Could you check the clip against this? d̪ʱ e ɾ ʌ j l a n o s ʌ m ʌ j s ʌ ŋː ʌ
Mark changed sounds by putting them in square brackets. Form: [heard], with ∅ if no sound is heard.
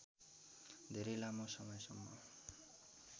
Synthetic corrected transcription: d̪ʱ e ɾ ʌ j l a [m] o s ʌ m ʌ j s ʌ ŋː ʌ

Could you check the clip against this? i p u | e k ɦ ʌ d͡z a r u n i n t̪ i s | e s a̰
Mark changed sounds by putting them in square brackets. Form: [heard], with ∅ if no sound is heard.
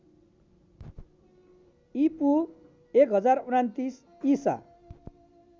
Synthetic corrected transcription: i p u | e k ɦ ʌ d͡z a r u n [a] n t̪ i s | [i] s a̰

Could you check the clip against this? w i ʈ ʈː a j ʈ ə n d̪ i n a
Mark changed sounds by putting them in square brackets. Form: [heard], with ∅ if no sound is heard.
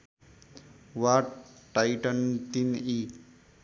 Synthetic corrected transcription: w [a] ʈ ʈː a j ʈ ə n [t̪] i n [i]

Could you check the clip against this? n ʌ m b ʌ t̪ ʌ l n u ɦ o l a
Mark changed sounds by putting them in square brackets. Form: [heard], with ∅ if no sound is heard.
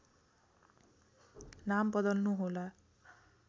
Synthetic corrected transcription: n [a] m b ʌ [d̪] ʌ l n u ɦ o l a

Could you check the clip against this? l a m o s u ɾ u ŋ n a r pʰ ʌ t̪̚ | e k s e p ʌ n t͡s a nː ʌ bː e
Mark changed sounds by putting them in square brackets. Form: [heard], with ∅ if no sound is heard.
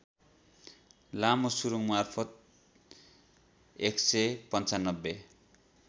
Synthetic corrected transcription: l a m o s u ɾ u ŋ [m] a r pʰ ʌ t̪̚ | e k s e p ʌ n t͡s a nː ʌ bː e

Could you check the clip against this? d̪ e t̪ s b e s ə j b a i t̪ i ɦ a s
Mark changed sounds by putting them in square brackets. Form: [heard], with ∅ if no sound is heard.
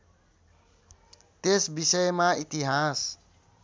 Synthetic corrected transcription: [t̪] e [∅] s b [i] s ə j [m] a i t̪ i ɦ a s

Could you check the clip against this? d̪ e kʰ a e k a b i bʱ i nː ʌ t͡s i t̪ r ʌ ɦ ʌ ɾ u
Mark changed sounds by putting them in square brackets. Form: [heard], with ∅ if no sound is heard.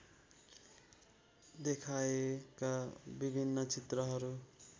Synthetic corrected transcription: d̪ e kʰ a e k a b i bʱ i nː ʌ t͡s i t̪ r ʌ ɦ ʌ ɾ u

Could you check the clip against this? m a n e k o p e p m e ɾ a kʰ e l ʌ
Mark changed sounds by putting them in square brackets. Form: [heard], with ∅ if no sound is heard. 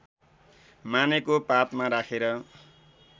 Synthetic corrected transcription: m a n e k o p [a] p m [a] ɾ a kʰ e [ɾ] ʌ

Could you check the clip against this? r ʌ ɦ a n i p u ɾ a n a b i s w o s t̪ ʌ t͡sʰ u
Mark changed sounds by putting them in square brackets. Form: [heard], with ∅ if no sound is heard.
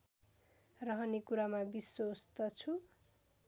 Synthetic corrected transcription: r ʌ ɦ [ʌ] n i [k] u ɾ a [m] a b i s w o s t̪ ʌ t͡sʰ u

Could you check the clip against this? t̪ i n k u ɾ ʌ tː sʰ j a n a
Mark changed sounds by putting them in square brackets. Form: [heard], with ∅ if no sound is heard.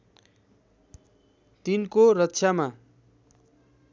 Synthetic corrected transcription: t̪ i n k [o] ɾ ʌ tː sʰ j a [m] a

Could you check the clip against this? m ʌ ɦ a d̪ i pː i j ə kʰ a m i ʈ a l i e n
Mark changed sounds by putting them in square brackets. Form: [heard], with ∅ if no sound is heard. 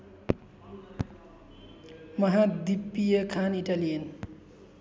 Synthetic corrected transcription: m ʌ ɦ a d̪ i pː i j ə kʰ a [n] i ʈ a l i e n

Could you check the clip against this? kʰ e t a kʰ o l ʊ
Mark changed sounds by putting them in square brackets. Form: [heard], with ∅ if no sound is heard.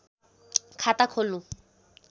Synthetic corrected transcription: kʰ [a] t a kʰ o l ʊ

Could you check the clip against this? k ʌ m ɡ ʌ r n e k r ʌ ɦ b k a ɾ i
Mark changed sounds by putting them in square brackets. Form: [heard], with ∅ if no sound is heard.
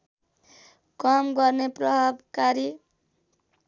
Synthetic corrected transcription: k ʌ m ɡ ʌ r n e [p] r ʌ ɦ b k a ɾ i

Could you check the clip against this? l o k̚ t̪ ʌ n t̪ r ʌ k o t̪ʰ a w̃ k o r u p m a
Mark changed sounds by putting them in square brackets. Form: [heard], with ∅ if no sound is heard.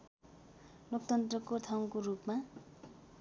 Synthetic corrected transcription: l o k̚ t̪ ʌ n t̪ r ʌ k o t̪ʰ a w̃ k o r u p m a

